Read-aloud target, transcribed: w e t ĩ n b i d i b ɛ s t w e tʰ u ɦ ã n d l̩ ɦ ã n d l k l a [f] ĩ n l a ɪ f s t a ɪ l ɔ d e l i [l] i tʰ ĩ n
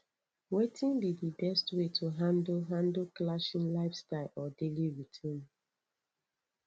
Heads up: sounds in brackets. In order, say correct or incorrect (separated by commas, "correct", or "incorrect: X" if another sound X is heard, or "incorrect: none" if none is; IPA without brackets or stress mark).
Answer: incorrect: ʃ, incorrect: ɹ